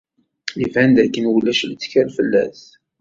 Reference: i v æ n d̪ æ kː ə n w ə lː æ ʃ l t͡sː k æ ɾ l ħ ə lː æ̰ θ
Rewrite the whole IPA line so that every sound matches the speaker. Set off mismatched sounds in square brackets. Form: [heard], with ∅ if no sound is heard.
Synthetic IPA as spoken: i v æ n d̪ æ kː ə n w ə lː æ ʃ l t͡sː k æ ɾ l [f] ə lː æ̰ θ